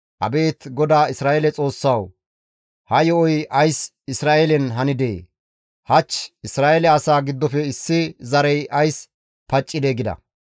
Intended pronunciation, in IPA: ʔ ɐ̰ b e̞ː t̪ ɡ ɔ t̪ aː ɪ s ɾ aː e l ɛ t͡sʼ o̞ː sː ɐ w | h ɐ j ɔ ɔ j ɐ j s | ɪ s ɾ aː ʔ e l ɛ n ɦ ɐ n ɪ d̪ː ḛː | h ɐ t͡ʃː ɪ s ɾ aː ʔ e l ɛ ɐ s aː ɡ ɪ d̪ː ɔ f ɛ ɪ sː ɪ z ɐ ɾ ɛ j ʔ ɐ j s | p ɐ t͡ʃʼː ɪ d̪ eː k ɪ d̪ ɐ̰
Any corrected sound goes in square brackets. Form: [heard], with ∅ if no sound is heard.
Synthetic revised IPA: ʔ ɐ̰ b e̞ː t̪ ɡ ɔ [d̪] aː ɪ s ɾ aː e l ɛ t͡sʼ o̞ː sː ɐ w | h ɐ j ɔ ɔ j ɐ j s | ɪ s ɾ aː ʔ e l ɛ n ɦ ɐ n ɪ [d̪] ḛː | h ɐ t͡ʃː ɪ s ɾ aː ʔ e l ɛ ɐ s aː ɡ ɪ d̪ː ɔ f ɛ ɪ sː ɪ z ɐ ɾ ɛ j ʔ ɐ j s | p ɐ t͡ʃʼː ɪ d̪ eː [ɡ] ɪ d̪ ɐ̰